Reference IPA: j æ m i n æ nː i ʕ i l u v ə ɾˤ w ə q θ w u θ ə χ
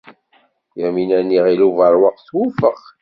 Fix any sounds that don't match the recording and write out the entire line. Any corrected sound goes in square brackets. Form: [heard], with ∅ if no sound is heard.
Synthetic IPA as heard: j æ m i n æ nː i [ʁ] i l u v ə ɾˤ w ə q θ w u [f] ə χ